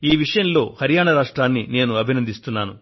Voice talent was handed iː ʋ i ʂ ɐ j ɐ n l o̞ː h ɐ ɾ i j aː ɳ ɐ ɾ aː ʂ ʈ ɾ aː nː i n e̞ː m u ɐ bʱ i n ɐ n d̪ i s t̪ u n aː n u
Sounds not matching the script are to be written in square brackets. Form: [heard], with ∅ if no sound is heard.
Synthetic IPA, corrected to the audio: iː ʋ i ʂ ɐ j ɐ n l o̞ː h ɐ ɾ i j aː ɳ ɐ ɾ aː ʂ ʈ ɾ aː nː i n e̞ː [n] u ɐ bʱ i n ɐ n d̪ i s t̪ u [nː] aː n u

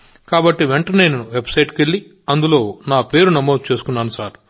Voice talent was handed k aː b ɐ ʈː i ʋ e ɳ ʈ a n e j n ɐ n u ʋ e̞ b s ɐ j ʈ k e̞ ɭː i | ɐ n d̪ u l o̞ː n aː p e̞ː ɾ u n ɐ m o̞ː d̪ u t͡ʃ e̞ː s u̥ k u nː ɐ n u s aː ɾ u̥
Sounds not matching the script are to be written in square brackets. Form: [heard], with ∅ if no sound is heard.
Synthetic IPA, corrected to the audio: k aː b ɐ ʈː i ʋ e ɳ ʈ [ɐ] n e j n ɐ n u ʋ e̞ b s ɐ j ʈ k e̞ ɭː i | ɐ n d̪ u l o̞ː n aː p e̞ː ɾ u n ɐ m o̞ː d̪ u t͡ʃ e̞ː s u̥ k u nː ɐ n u s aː ɾ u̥

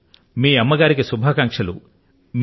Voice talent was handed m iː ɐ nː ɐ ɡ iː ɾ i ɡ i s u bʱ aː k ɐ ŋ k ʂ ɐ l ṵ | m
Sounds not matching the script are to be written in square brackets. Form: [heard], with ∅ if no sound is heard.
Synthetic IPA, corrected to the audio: m iː ɐ [mː] ɐ ɡ [aː] ɾ i [k] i s u bʱ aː k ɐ ŋ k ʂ ɐ l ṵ | m

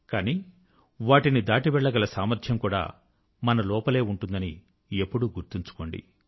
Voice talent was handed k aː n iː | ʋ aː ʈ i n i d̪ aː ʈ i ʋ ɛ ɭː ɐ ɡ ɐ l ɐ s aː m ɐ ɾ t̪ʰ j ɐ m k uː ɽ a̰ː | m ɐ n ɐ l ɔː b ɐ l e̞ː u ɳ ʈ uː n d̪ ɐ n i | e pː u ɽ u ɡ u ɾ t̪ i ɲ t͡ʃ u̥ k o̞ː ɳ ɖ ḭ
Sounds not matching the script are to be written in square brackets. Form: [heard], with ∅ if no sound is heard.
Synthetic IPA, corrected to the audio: k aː n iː | ʋ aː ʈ i n i d̪ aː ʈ i ʋ ɛ ɭː ɐ ɡ ɐ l ɐ s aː m ɐ ɾ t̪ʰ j ɐ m k uː ɽ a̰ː | m ɐ n ɐ l ɔː [p] ɐ l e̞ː u ɳ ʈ [u] n d̪ ɐ n i | e pː u ɽ u ɡ u ɾ t̪ i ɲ t͡ʃ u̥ k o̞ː ɳ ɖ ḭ

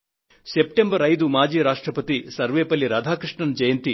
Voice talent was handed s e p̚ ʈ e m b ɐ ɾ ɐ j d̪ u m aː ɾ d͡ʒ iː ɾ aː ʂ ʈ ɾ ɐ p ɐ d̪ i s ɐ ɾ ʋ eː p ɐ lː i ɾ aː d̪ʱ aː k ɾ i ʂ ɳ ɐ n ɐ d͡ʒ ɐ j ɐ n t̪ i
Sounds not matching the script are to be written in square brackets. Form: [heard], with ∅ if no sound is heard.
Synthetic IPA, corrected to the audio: s e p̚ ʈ e m b ɐ ɾ ɐ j d̪ u m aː [∅] d͡ʒ iː ɾ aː ʂ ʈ ɾ ɐ p ɐ [t̪] i s ɐ ɾ ʋ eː p ɐ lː i ɾ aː d̪ʱ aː k ɾ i ʂ ɳ ɐ n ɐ d͡ʒ ɐ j ɐ n t̪ i

